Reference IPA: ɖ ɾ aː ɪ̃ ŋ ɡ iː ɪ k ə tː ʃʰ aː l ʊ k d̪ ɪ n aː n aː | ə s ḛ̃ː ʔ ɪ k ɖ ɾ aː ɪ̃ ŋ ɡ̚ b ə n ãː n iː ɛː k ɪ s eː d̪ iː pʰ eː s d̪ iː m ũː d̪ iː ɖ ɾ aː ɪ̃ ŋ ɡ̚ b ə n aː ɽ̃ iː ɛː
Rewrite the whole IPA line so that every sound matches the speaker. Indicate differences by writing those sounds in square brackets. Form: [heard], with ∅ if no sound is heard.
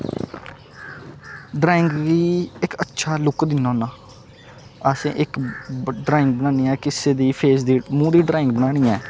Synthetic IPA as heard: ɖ ɾ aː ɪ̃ ŋ ɡ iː ɪ k ə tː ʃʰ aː l ʊ k d̪ ɪ n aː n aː | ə s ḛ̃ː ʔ ɪ k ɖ ɾ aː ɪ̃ ŋ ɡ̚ b ə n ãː n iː ɛː k ɪ s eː d̪ iː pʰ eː s d̪ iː m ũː d̪ iː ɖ ɾ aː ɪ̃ ŋ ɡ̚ b ə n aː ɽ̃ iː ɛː